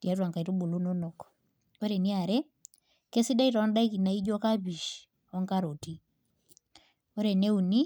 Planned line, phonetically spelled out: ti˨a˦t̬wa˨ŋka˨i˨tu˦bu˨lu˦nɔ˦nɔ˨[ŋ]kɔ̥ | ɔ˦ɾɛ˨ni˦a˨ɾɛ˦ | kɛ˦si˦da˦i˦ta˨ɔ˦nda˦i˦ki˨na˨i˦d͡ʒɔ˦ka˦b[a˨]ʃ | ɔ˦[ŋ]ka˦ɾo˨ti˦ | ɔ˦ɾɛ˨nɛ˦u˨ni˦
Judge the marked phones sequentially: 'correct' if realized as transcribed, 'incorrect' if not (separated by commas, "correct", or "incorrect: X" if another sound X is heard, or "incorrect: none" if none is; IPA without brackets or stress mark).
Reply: incorrect: none, incorrect: i˨, correct